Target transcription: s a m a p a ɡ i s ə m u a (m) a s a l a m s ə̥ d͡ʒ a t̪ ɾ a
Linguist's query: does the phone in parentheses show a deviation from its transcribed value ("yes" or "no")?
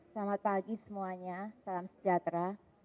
yes